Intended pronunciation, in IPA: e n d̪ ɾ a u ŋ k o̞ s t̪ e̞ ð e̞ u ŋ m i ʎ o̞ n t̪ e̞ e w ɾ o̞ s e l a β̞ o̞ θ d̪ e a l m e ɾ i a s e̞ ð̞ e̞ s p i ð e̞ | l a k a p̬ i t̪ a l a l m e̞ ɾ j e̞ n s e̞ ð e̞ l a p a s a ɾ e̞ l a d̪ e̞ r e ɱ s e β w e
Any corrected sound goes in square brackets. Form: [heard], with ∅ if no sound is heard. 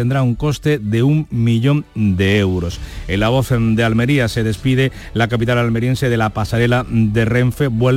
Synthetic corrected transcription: e n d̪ ɾ a u ŋ k o̞ s t̪ e̞ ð e̞ u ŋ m i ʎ o̞ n [d̪] e̞ e w ɾ o̞ s e l a β̞ o̞ θ d̪ e a l m e ɾ i a s e̞ ð̞ e̞ s p i ð e̞ | l a k a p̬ i t̪ a l a l m e̞ ɾ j e̞ n s e̞ ð e̞ l a p a s a ɾ e̞ l a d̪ e̞ r e ɱ [f] e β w e